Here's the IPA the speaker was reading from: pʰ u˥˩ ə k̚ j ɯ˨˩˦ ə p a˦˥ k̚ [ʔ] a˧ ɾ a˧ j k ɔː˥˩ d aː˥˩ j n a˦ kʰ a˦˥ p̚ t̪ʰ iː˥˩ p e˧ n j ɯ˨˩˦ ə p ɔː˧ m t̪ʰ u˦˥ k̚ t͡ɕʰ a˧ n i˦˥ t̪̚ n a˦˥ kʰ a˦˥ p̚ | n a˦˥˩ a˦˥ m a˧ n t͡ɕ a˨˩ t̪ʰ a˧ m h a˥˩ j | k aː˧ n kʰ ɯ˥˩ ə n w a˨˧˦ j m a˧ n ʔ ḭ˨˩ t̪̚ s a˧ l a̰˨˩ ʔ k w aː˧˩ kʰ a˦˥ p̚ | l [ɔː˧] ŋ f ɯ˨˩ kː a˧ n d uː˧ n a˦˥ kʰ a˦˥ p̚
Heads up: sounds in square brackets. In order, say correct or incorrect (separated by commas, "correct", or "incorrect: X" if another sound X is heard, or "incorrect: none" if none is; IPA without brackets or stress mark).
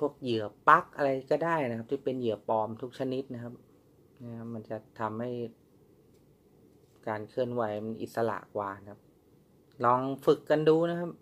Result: correct, correct